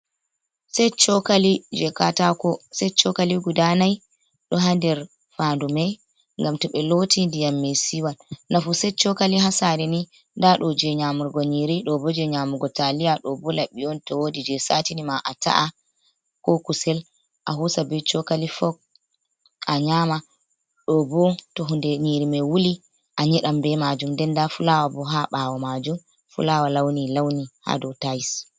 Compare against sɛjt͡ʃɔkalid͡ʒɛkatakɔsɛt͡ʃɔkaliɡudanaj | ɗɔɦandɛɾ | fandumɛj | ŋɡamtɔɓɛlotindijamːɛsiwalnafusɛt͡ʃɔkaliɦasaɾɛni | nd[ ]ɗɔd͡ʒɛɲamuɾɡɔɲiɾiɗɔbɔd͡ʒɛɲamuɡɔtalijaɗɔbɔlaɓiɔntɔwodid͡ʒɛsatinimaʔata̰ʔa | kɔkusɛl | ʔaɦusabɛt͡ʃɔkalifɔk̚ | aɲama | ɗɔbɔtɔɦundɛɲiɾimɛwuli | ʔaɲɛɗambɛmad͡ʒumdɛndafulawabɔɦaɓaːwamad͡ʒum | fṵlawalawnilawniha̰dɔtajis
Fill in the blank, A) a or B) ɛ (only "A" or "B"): A